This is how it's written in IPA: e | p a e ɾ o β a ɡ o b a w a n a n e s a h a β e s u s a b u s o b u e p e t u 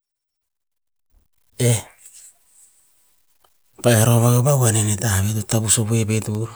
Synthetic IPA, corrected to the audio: e | p a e ɾ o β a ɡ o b a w a n e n e t a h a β e t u t a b u s o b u e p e t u